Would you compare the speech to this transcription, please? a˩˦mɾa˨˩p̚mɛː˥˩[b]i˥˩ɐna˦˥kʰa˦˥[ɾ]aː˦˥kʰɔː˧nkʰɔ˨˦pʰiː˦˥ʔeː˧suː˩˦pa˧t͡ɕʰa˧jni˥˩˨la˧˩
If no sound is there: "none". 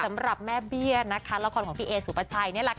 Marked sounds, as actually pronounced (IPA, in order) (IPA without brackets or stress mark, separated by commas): b, l